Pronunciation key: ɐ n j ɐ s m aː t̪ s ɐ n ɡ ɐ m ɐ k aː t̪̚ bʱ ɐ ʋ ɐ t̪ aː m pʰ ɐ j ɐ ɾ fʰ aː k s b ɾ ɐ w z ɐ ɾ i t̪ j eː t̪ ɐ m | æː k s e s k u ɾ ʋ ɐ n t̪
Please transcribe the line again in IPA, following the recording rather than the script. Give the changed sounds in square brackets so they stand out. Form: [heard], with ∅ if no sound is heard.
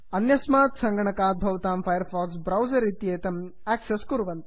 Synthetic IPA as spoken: ɐ n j ɐ s m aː t̪ s ɐ [ŋ] ɡ ɐ [ɳ] ɐ k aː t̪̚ bʱ ɐ ʋ ɐ t̪ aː m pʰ ɐ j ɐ ɾ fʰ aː k s b ɾ ɐ w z ɐ ɾ i t̪ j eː t̪ ɐ m | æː k s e s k u ɾ ʋ ɐ n t̪